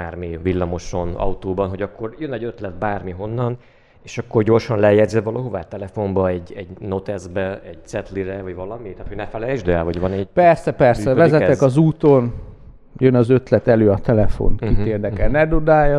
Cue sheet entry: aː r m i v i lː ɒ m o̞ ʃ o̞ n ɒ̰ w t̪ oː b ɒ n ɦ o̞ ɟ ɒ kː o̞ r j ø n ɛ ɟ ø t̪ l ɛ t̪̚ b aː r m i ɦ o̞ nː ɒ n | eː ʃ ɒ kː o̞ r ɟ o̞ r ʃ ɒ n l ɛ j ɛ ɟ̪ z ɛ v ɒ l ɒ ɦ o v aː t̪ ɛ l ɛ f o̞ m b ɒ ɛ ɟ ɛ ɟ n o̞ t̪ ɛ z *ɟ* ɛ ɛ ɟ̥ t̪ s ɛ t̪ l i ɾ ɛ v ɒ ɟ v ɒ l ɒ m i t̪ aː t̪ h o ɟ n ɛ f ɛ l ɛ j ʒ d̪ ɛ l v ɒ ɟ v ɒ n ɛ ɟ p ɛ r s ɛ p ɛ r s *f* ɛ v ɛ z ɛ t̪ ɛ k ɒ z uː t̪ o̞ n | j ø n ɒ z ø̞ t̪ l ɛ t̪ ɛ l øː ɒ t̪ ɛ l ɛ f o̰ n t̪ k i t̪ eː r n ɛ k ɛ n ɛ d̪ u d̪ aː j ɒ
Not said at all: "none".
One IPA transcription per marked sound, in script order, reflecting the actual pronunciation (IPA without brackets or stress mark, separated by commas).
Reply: b, s